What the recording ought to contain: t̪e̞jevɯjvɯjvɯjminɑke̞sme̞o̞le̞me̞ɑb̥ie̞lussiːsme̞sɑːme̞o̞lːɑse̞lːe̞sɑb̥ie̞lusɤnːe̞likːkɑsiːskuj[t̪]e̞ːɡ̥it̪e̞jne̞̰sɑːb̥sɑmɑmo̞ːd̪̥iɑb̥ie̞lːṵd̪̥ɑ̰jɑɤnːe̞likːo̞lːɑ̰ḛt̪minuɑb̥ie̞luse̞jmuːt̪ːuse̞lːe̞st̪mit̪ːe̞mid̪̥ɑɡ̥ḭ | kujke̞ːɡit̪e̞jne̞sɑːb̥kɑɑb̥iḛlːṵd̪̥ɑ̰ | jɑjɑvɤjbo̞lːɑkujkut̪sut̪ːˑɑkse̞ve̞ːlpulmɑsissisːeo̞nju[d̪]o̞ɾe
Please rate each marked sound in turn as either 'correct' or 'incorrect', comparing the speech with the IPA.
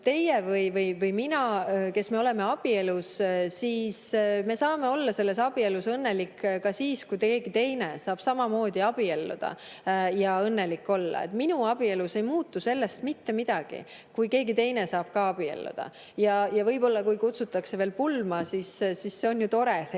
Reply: correct, incorrect: t̪

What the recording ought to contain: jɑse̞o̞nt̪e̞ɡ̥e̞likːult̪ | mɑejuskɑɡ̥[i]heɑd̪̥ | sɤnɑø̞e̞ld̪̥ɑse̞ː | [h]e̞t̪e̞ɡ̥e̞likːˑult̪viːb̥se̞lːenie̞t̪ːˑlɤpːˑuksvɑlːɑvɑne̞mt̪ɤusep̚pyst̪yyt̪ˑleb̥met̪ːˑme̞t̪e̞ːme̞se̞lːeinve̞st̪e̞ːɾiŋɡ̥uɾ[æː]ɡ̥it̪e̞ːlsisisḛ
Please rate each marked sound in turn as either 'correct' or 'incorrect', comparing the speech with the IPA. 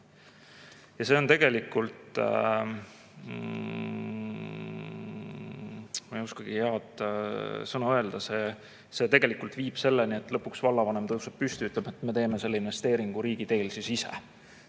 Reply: correct, incorrect: s, incorrect: iː

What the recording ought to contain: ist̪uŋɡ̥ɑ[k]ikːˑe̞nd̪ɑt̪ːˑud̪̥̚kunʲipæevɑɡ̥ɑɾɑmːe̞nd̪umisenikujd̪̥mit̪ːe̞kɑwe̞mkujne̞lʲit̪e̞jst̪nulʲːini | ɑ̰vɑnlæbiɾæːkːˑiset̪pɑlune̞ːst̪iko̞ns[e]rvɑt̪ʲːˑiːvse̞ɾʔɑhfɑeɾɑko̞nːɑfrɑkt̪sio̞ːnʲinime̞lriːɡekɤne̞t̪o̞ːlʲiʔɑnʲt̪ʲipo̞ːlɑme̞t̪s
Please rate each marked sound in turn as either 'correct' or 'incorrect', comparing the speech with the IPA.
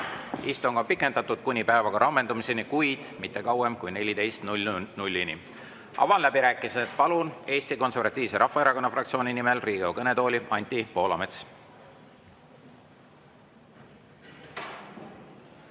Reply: incorrect: p, correct

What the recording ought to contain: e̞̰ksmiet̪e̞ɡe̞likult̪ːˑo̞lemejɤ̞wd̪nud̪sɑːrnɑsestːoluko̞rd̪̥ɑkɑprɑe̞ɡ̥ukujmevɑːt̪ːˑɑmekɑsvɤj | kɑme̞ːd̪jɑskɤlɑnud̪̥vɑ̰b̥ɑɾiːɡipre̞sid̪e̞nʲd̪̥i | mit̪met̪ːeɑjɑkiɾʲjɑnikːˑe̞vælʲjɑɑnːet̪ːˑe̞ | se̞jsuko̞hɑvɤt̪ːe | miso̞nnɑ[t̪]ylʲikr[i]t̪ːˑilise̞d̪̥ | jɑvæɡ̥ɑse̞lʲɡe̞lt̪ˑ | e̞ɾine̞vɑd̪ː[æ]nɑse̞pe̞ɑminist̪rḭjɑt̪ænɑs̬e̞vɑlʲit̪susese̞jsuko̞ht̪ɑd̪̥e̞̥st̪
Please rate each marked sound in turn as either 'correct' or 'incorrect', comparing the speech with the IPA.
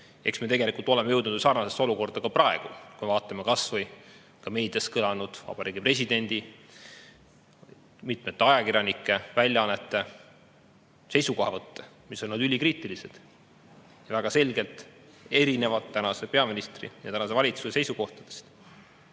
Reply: incorrect: d̪, incorrect: iː, correct

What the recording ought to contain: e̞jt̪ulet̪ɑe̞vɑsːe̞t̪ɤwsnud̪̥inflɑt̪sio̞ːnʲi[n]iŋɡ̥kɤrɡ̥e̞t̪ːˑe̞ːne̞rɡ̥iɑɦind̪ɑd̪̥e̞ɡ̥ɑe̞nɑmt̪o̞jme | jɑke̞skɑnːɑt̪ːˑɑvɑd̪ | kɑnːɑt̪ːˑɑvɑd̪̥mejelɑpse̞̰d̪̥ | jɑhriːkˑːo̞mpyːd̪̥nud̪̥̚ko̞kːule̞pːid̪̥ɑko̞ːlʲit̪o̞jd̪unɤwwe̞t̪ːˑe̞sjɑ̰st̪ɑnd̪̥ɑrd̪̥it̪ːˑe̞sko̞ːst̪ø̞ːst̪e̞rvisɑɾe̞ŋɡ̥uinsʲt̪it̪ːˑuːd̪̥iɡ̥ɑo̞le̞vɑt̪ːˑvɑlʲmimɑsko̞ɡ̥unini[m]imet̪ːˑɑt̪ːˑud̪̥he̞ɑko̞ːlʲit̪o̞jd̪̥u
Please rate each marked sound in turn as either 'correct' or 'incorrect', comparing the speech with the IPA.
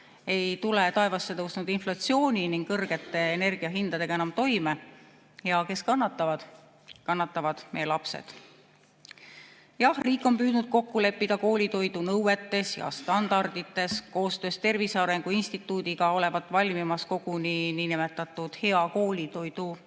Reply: correct, incorrect: n

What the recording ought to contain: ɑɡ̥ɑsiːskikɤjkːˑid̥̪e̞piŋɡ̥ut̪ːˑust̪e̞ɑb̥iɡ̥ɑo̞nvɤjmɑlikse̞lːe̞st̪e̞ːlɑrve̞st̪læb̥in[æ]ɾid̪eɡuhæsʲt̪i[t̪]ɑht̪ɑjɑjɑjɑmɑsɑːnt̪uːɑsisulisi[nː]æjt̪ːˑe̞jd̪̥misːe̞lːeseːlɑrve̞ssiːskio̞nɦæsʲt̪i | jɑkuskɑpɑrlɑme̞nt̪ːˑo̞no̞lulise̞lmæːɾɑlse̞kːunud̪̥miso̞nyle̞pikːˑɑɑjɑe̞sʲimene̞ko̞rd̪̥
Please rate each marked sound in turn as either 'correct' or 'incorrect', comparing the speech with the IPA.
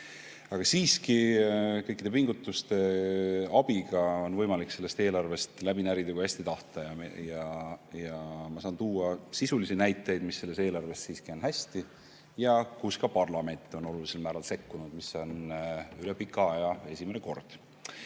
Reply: correct, correct, incorrect: n

